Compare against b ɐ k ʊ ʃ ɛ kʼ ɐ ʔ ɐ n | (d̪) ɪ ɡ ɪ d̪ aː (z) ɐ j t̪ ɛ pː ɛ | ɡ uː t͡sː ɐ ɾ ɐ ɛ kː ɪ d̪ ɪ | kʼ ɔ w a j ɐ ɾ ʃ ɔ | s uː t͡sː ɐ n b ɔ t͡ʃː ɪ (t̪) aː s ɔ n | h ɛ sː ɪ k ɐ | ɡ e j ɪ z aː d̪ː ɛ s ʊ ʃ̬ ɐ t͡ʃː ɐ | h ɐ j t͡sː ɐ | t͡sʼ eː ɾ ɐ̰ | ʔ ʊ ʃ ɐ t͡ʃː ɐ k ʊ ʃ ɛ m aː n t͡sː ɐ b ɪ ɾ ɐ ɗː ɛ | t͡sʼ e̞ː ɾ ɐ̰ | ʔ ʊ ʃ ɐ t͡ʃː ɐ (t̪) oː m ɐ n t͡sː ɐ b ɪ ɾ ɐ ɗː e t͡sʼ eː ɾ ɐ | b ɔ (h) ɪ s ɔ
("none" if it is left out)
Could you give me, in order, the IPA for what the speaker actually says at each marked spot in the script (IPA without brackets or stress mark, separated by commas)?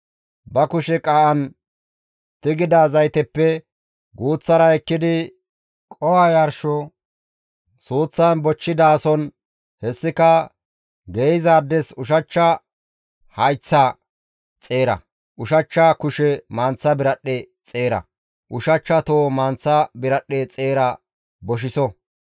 t̪, z, d̪, t̪, ʃ